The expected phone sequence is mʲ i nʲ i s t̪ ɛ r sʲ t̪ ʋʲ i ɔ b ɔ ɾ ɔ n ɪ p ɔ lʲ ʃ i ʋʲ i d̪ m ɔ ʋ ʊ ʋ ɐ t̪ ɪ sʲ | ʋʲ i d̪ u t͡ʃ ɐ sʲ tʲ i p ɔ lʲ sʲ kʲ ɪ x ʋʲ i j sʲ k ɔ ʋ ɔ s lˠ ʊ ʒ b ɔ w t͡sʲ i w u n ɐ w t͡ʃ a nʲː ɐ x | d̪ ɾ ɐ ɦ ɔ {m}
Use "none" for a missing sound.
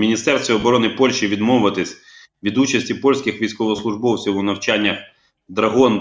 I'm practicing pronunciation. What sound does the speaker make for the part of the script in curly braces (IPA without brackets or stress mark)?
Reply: n